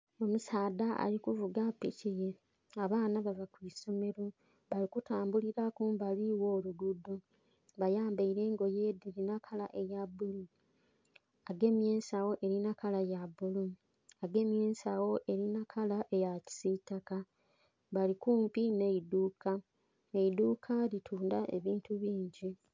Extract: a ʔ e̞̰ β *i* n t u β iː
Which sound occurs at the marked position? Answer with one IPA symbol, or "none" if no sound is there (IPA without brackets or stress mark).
iː